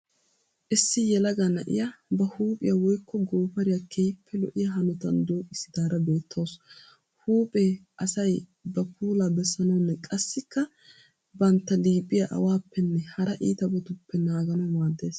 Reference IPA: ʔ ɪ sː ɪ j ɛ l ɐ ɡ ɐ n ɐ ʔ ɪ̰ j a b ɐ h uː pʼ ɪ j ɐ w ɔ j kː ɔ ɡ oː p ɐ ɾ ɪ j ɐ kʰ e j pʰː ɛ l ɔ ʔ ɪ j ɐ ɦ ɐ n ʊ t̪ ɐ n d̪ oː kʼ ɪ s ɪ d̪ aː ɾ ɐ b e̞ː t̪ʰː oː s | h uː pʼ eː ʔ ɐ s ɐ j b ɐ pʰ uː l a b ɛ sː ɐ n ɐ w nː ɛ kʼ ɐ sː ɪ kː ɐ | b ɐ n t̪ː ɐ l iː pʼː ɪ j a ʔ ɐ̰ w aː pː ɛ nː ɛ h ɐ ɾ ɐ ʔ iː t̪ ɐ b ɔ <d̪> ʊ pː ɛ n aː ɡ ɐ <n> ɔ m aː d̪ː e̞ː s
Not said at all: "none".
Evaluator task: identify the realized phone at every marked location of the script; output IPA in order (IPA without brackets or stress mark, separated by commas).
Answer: t̪, n